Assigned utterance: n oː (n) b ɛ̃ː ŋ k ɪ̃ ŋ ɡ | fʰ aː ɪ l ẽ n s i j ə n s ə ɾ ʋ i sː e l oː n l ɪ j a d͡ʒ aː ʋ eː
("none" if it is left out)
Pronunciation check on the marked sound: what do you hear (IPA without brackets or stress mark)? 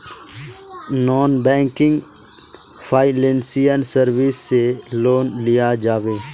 n